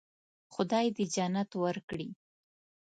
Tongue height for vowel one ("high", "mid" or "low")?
high